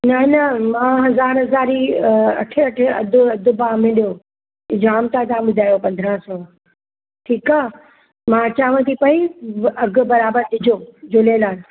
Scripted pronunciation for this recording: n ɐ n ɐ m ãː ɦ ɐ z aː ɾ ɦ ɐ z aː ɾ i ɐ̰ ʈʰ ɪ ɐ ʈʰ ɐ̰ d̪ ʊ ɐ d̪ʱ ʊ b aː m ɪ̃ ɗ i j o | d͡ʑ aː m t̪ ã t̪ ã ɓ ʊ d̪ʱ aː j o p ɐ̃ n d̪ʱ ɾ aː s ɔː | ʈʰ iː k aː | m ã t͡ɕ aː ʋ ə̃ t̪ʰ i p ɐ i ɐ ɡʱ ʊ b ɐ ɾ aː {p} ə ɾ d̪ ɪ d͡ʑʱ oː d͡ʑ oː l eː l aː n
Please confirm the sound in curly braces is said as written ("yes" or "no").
no